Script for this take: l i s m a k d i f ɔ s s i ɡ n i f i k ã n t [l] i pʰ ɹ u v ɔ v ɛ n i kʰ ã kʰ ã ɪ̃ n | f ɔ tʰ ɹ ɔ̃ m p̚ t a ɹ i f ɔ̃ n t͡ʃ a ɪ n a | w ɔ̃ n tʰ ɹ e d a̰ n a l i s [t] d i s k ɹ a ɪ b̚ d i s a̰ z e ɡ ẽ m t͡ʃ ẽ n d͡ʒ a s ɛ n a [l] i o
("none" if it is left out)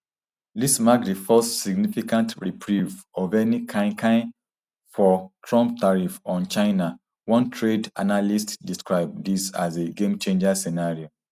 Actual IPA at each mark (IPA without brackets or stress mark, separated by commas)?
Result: ɹ, t, ɹ